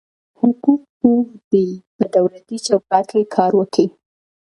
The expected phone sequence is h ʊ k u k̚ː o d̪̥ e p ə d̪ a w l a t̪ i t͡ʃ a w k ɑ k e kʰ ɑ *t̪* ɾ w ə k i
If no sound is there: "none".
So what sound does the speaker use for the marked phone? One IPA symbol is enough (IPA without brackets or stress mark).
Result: none